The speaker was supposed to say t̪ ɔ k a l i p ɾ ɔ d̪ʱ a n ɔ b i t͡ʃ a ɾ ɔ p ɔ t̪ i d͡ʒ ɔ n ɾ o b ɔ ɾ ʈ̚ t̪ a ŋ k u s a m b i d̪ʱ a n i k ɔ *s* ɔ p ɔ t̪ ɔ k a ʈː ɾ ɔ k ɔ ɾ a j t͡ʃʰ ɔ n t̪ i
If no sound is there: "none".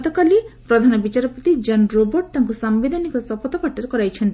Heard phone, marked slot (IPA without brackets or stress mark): s